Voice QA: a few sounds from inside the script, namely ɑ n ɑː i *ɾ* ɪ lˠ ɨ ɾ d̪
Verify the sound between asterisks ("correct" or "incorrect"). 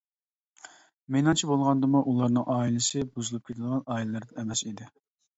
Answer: incorrect